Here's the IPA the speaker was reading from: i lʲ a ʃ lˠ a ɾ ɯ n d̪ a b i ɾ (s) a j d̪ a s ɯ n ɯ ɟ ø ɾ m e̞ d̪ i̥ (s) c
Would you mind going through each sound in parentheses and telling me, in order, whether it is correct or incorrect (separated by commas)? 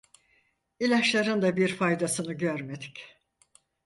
incorrect, incorrect